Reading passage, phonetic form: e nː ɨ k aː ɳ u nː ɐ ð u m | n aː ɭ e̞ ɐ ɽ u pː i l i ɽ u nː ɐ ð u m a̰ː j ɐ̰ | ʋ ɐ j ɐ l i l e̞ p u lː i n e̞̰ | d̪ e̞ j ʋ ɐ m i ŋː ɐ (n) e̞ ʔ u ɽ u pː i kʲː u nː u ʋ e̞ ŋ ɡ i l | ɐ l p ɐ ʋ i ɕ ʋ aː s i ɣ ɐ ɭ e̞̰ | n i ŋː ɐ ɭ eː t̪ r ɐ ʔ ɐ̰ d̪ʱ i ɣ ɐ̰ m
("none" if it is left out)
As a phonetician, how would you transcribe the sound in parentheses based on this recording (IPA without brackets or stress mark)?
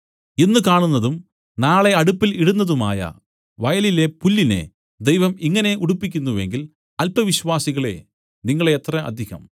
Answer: n